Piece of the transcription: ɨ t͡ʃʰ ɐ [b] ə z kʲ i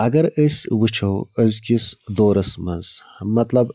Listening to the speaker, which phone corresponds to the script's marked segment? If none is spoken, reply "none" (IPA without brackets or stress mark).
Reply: w